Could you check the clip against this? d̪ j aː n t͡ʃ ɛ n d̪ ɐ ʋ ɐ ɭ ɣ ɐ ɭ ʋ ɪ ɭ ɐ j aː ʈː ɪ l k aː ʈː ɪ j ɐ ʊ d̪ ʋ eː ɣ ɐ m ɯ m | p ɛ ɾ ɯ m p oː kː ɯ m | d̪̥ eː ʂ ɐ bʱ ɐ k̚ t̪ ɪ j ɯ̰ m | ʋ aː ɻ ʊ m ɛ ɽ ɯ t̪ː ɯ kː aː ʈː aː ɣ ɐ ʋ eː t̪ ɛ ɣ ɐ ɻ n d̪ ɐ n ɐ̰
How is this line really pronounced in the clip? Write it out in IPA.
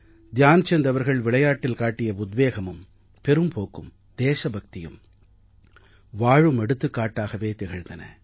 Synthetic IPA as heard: d̪ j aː n t͡ʃ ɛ n d̪ ɐ ʋ ɐ ɾ ɣ ɐ ɭ ʋ ɪ ɭ ɐ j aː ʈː ɪ l k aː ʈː ɪ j ɐ ʊ d̪ ʋ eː ɣ ɐ m ɯ m | p ɛ ɾ ɯ m p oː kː ɯ m | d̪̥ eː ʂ ɐ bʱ ɐ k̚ t̪ ɪ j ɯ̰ m | ʋ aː ɻ ɯ m ɛ ɽ ɯ t̪ː ɯ kː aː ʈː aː ɣ ɐ ʋ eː t̪ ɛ ɣ ɐ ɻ n d̪ ɐ n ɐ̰